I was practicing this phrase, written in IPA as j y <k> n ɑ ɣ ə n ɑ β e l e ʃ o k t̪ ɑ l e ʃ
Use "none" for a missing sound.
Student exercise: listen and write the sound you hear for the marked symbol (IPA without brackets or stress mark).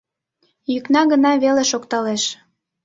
k